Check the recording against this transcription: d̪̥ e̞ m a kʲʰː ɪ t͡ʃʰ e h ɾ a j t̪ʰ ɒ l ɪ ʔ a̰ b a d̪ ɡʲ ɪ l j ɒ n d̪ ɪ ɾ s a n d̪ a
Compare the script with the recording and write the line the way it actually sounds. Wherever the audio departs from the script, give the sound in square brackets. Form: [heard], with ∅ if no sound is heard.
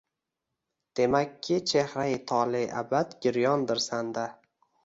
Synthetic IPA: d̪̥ e̞ m a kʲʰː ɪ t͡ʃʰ e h ɾ a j t̪ʰ ɒ l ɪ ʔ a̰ b a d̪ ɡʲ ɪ [ɾ] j ɒ n d̪ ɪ ɾ s a n d̪ a